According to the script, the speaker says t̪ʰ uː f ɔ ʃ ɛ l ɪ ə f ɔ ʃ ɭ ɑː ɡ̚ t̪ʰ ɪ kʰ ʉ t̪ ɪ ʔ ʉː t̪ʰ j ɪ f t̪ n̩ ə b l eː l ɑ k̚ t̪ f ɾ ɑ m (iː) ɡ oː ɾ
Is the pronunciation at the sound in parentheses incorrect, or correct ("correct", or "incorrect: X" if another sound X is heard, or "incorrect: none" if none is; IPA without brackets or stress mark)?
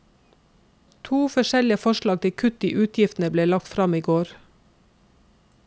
correct